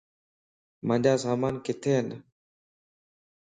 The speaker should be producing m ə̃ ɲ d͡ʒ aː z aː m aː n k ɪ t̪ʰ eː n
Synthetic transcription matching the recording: m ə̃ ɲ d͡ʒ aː s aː m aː n k ɪ t̪ʰ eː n